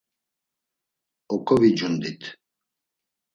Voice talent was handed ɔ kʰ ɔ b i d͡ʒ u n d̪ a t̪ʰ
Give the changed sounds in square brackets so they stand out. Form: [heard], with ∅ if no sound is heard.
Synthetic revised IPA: ɔ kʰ ɔ [v] i d͡ʒ u n d̪ [i] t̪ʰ